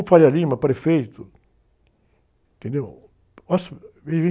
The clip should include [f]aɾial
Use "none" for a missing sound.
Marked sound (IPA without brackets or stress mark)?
f